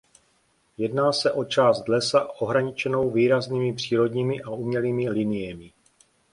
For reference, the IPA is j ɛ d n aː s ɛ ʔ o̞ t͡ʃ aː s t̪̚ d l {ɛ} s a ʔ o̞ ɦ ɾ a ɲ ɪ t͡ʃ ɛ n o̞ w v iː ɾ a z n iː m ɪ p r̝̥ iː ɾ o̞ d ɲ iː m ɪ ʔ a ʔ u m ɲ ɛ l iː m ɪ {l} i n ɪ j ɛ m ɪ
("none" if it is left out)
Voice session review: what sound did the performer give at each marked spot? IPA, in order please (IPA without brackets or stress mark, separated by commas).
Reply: ɛ, l